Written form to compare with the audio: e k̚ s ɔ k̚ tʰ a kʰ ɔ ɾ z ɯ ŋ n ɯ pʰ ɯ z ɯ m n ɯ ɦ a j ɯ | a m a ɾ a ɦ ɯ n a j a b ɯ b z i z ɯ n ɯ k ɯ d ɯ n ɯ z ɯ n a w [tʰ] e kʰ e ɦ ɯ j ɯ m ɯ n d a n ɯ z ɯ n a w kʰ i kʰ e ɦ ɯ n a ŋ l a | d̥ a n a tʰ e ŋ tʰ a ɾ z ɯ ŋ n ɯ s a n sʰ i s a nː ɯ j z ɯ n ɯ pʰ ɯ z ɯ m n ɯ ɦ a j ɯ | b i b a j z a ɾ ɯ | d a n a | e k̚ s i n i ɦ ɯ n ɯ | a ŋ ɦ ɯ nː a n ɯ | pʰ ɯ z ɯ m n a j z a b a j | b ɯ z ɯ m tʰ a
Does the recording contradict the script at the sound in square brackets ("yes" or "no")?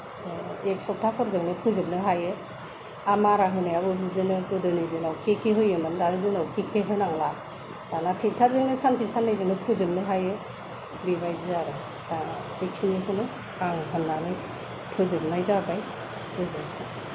yes